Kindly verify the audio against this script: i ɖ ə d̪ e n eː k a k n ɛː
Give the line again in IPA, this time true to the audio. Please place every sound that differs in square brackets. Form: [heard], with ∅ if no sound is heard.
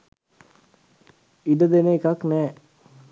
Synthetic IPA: i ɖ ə d̪ e n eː k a k n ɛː